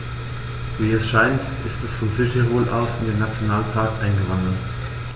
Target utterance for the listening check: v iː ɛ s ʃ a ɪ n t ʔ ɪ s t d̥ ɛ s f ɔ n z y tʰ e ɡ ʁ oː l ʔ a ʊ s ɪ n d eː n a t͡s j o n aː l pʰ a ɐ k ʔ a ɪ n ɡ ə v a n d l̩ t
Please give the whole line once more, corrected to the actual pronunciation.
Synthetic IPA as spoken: v iː ɛ s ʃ a ɪ n t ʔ ɪ s t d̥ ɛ s f ɔ n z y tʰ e ʁ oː l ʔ a ʊ s ɪ n d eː n a t͡s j o n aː l pʰ a ɐ k ʔ a ɪ n ɡ ə v a n d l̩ t